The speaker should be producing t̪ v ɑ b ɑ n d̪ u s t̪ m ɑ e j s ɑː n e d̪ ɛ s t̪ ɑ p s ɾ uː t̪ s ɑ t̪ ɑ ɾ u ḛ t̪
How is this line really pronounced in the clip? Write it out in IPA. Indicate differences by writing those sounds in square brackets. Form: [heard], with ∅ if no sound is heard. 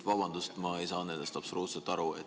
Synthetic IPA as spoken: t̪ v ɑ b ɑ n d̪ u s t̪ m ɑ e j s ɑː n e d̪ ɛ s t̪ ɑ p s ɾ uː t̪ s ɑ t̪ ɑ ɾ u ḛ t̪